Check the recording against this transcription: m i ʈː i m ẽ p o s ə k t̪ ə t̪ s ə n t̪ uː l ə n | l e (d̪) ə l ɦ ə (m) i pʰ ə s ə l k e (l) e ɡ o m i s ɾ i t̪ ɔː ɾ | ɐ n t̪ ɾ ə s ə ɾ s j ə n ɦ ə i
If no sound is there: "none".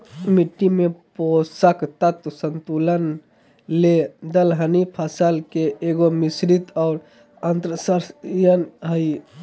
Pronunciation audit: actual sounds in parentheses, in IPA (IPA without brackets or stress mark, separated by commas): d̪, n, none